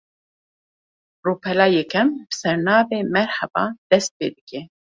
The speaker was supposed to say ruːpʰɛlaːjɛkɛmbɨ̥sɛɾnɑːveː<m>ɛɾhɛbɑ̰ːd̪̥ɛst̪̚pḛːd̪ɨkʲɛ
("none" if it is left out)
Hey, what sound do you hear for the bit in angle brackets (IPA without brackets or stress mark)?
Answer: m